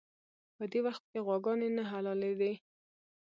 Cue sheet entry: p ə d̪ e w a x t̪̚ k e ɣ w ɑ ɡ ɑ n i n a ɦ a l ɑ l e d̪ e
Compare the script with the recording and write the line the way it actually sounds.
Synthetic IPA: p ə d̪ e w a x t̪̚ k e ɣ w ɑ ɡ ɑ n e n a ɦ a l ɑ l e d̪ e